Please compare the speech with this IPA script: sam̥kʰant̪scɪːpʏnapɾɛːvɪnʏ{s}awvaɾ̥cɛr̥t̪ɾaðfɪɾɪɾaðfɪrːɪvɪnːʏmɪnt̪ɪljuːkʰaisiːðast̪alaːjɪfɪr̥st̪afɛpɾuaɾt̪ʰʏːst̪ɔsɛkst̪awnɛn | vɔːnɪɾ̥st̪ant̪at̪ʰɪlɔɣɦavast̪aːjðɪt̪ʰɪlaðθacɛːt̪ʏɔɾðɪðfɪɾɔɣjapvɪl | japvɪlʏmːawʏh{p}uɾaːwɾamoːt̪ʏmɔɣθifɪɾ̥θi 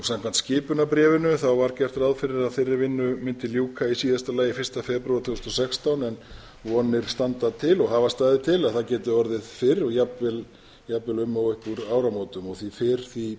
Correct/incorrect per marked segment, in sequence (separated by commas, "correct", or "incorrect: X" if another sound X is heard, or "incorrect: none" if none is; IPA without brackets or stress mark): incorrect: θ, incorrect: k